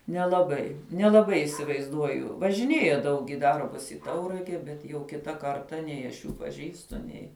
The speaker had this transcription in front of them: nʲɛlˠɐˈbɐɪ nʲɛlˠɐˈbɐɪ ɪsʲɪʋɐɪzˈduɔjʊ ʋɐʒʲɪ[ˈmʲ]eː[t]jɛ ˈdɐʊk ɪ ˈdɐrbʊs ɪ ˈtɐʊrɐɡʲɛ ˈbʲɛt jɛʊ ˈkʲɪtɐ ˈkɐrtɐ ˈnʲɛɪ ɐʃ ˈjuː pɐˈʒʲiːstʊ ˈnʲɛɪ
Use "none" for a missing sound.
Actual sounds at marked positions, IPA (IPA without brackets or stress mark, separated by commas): nʲ, none